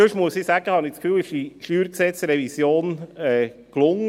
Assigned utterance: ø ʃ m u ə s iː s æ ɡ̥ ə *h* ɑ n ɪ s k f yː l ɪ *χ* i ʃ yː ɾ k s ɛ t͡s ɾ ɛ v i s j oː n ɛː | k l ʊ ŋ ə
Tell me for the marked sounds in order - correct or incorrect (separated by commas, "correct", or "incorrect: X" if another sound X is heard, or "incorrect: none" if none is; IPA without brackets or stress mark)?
correct, incorrect: ʃ